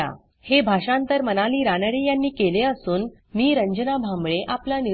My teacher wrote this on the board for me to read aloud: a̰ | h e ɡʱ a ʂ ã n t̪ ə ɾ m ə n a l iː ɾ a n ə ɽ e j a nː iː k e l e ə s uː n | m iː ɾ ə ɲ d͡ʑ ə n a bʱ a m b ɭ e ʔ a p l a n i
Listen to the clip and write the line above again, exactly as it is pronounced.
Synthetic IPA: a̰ | h e bʱ a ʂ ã n t̪ ə ɾ m ə n a l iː ɾ a n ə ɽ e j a nː iː k e l e ə s uː n | m iː ɾ ə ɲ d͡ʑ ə n a bʱ a m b ɭ e ʔ a p l a n i